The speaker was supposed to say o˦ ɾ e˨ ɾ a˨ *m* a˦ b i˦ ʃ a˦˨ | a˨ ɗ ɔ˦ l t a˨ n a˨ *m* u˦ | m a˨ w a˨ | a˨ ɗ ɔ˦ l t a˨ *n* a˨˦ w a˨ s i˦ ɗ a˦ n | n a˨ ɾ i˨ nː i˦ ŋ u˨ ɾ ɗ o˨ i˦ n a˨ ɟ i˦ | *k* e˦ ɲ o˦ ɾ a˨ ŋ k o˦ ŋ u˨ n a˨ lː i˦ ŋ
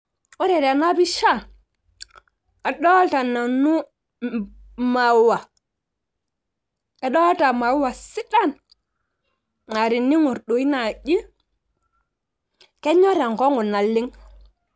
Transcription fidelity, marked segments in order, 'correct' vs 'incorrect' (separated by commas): incorrect, incorrect, incorrect, correct